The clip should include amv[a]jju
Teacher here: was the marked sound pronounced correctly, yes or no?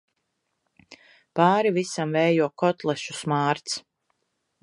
no